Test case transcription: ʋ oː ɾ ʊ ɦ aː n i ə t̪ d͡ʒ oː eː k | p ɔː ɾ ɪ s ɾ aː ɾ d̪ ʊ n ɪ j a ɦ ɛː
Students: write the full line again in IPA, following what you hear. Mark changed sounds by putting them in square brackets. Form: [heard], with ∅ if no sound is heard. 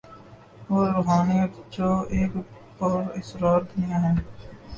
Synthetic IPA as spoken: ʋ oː ɾ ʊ ɦ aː n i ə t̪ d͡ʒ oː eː k | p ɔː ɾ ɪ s ɾ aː ɾ d̪ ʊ n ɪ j a ɦ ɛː